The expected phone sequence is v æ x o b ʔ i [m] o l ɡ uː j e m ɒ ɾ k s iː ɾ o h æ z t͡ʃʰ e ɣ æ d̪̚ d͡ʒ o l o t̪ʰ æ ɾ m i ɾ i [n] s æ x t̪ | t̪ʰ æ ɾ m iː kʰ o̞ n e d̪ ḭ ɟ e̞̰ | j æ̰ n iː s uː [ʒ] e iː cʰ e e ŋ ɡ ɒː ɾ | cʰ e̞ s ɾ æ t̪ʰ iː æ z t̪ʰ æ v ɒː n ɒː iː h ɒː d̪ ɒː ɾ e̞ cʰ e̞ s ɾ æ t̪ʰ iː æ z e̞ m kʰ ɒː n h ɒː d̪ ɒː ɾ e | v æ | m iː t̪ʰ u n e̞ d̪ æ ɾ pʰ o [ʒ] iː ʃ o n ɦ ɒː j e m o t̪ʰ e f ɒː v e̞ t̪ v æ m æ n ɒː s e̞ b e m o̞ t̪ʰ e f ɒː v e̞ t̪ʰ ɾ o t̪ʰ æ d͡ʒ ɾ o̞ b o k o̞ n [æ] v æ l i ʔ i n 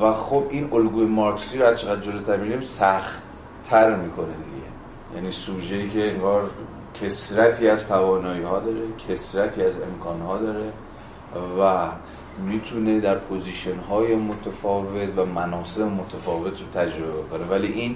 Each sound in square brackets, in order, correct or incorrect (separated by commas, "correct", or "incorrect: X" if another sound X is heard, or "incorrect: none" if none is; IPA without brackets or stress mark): incorrect: n, incorrect: m, correct, incorrect: z, incorrect: e